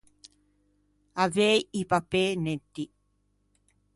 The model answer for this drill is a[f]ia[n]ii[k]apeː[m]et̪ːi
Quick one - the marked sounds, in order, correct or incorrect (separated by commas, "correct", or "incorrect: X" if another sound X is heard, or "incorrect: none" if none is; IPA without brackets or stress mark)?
incorrect: v, incorrect: none, incorrect: p, incorrect: n